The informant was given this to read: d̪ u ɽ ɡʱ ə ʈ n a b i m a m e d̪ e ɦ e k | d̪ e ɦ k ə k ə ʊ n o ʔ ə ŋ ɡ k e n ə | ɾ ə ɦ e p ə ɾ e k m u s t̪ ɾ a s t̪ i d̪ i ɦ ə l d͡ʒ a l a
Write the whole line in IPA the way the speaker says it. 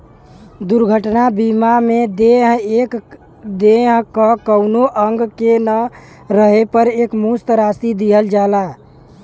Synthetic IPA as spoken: d̪ u ɾ ɡʱ ə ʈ n a b i m a m e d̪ e ɦ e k | d̪ e ɦ k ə k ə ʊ n o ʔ ə ŋ ɡ k e n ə | ɾ ə ɦ e p ə ɾ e k m u s t̪ ɾ a s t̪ i d̪ i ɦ ə l d͡ʒ a l a